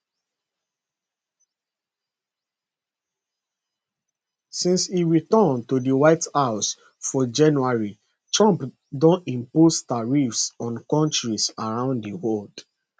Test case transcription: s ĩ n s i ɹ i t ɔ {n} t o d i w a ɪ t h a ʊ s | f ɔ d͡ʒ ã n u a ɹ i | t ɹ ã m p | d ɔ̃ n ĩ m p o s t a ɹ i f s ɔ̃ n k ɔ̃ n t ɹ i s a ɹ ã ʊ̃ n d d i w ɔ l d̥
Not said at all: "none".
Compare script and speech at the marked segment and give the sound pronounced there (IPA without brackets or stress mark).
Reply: n